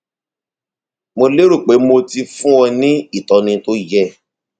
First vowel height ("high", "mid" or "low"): mid